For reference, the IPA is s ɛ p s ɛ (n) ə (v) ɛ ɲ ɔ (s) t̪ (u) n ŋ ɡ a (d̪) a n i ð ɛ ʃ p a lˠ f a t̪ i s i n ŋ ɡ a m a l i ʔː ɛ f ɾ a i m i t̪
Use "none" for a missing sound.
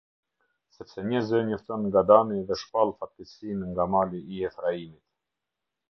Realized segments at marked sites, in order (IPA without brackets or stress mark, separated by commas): ɲ, z, f, ɔ, d̪